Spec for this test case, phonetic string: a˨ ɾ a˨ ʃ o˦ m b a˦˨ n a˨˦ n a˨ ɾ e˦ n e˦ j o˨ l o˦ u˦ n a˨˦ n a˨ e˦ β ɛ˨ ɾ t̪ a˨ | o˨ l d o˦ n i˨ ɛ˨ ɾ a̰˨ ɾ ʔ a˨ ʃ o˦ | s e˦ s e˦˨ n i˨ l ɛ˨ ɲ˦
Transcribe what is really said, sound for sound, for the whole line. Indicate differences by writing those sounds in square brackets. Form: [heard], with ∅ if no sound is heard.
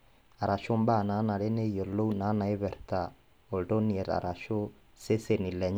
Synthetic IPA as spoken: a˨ ɾ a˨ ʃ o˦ m b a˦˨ n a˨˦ n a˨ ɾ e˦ n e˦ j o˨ l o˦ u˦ n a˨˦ n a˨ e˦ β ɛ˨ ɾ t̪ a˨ | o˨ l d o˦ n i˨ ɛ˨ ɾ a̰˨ ɾ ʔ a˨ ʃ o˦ | s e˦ s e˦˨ n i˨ l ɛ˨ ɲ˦